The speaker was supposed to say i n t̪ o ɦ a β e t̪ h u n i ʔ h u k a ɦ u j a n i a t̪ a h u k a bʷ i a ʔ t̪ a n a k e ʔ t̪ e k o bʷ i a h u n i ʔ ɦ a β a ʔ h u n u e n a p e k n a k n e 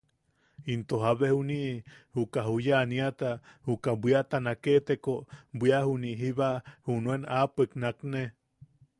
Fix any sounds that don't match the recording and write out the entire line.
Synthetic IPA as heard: i n t̪ o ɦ a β e h u n i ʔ h u k a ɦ u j a n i a t̪ a h u k a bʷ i a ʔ t̪ a n a k e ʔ t̪ e k o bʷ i a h u n i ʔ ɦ i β a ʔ h u n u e n a p e k n a k n e